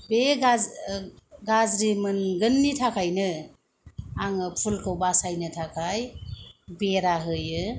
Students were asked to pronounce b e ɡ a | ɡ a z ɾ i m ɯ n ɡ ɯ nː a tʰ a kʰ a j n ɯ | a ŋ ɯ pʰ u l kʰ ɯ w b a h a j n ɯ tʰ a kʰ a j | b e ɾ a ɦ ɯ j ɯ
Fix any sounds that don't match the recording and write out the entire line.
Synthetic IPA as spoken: b e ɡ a | ɡ a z ɾ i m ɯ n ɡ ɯ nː i tʰ a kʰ a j n ɯ | a ŋ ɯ pʰ u l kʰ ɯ w b a s a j n ɯ tʰ a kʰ a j | b e ɾ a ɦ ɯ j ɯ